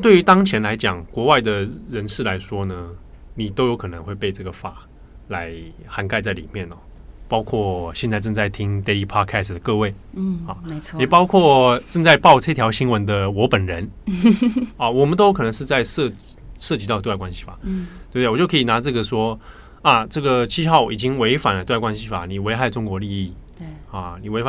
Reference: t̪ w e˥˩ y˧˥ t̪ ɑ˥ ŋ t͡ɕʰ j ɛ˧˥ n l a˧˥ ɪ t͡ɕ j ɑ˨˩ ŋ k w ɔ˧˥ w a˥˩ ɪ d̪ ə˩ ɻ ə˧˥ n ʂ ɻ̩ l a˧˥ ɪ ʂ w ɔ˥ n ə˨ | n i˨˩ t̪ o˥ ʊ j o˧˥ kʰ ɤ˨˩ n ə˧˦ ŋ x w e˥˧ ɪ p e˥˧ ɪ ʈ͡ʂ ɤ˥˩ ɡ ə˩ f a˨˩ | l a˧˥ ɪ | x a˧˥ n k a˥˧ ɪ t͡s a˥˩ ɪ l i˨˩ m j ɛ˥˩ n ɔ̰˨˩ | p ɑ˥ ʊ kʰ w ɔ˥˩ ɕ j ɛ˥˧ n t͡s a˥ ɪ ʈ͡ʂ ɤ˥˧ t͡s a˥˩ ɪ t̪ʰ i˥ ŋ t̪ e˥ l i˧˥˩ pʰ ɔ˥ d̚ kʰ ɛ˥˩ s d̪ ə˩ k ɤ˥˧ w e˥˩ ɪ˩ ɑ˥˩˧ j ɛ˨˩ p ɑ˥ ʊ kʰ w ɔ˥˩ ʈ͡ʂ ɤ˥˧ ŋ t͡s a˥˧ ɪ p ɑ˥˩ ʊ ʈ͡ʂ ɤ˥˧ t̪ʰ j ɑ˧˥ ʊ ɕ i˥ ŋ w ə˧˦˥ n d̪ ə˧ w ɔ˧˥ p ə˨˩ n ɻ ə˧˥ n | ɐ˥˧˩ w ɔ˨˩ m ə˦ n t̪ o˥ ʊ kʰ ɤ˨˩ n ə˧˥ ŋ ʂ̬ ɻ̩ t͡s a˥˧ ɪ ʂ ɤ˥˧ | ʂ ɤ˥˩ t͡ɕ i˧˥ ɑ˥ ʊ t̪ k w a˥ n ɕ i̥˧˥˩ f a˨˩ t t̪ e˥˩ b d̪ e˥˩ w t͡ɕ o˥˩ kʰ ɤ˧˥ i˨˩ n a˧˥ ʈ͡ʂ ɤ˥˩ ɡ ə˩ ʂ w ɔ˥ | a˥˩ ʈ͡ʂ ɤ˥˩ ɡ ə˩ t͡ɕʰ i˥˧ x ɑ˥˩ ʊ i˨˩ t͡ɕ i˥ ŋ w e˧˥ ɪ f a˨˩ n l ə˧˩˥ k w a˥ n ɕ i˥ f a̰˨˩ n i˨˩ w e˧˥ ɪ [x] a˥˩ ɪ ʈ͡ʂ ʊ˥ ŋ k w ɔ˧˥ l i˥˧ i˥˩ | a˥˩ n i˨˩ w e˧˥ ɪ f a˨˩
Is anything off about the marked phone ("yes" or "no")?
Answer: no